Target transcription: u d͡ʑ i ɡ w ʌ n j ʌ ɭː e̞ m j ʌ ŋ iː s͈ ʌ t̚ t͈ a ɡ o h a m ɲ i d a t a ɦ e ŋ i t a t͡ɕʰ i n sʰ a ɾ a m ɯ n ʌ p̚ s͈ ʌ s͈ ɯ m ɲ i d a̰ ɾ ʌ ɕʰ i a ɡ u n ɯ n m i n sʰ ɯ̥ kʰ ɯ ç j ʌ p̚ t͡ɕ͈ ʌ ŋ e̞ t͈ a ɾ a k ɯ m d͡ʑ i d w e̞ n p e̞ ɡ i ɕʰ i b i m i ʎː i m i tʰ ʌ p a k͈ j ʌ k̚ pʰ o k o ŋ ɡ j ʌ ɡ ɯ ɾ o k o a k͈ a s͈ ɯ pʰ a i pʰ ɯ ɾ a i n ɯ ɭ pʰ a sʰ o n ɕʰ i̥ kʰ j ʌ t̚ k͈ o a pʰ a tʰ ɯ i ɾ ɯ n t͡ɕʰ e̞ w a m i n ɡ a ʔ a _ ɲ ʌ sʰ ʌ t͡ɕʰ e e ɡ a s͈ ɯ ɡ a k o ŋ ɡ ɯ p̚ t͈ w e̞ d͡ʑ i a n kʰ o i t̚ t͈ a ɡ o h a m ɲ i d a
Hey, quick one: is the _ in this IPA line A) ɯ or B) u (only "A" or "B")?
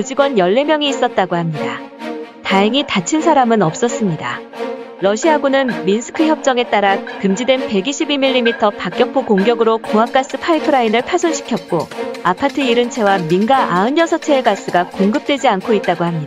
A